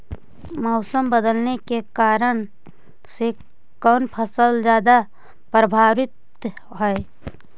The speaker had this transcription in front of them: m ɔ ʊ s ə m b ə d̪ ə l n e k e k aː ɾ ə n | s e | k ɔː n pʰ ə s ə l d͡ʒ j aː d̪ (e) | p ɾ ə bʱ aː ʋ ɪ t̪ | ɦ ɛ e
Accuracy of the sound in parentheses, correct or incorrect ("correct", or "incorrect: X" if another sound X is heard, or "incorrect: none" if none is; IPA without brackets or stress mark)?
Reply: incorrect: a